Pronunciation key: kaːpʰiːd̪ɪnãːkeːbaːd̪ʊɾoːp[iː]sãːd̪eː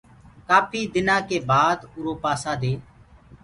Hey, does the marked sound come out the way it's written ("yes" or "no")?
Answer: no